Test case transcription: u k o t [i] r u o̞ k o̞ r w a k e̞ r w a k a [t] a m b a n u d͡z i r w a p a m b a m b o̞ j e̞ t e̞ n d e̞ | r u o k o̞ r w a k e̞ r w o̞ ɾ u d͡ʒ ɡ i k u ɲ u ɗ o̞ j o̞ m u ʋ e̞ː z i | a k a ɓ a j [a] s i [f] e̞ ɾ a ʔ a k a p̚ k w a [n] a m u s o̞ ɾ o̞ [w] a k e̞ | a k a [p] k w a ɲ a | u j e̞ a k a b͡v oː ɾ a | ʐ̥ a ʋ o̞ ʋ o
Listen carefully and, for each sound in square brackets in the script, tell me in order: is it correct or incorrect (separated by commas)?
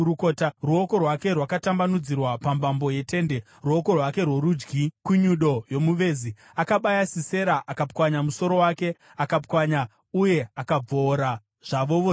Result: incorrect, correct, correct, incorrect, incorrect, correct, correct